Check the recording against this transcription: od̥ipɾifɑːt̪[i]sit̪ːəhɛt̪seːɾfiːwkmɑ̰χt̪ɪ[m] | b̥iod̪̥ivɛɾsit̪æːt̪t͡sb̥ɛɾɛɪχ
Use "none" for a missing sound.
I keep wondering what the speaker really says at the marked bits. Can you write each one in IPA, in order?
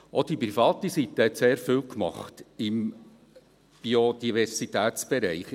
i, m

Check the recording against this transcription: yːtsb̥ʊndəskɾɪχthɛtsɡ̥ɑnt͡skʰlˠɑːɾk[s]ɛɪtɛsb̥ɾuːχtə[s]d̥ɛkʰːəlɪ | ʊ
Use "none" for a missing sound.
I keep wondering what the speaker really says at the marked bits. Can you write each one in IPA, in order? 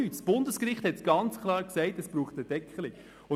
s, none

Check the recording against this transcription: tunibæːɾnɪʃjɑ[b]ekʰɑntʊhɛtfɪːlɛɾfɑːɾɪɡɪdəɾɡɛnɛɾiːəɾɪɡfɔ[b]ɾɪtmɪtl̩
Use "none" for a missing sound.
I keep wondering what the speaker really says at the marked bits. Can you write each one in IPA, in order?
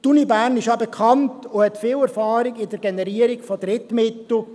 b, d

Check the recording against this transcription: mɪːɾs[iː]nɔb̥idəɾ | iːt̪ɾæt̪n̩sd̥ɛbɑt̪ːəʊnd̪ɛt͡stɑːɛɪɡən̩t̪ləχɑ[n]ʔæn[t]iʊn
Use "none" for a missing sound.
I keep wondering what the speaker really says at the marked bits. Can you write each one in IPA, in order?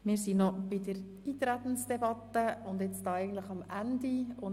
i, m, d

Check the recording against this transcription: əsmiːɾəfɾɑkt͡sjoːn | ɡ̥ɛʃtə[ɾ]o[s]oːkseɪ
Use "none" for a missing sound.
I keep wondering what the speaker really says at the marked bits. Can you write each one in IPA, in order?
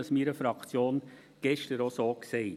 ɾ, s

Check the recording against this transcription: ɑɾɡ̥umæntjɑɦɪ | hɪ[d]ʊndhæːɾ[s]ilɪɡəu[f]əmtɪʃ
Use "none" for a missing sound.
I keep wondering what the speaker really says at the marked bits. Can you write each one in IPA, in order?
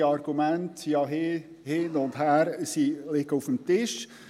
n, s, f

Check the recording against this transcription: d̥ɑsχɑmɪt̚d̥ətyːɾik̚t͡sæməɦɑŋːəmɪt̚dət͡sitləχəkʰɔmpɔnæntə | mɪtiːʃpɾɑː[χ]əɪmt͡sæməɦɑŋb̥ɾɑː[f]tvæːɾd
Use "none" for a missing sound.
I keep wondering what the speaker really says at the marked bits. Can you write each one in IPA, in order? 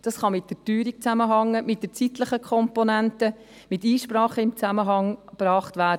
χ, χ

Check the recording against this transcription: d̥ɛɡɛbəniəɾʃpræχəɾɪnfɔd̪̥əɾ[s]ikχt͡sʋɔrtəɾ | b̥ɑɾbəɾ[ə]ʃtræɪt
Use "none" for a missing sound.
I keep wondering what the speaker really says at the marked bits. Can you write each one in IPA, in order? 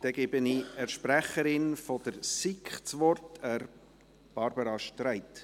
s, ɑ

